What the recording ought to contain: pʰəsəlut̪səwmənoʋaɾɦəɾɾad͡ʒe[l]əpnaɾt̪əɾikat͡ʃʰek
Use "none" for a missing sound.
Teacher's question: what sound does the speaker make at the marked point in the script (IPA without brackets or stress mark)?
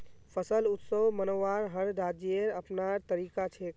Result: ɾ